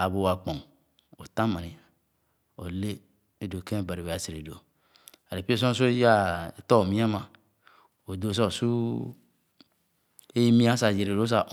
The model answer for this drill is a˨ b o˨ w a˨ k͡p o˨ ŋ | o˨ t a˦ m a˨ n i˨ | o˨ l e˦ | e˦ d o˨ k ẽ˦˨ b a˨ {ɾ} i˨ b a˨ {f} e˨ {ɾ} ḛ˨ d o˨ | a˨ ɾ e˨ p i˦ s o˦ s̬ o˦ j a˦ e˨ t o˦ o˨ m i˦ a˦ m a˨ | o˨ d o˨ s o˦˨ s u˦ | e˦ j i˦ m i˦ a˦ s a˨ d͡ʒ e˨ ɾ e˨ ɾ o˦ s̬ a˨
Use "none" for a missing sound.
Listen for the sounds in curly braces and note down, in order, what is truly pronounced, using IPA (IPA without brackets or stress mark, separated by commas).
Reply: ɾ, s, ɾ